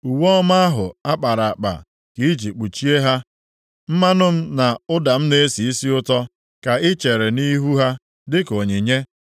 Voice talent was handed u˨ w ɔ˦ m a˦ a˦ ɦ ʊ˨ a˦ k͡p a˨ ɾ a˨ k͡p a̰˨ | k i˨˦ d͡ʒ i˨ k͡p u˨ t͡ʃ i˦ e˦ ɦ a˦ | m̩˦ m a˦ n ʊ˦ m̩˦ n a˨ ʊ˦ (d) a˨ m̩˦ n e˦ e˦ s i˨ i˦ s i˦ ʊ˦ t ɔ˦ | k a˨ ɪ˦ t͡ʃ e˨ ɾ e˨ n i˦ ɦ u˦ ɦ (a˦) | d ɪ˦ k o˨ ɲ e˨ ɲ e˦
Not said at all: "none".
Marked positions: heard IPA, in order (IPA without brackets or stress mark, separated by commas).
d, a˦